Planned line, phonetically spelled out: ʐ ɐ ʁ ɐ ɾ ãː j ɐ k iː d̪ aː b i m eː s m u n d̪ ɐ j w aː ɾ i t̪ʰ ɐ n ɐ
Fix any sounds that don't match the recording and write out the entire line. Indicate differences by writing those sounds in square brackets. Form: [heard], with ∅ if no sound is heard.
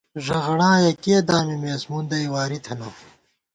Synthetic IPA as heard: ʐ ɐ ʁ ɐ [ɽ] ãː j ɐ k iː d̪ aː [m] i m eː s m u n d̪ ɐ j w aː ɾ i t̪ʰ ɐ n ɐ